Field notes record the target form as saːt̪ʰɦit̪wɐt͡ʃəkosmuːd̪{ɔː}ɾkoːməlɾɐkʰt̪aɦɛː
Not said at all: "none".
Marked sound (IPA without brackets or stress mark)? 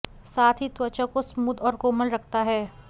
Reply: ɔː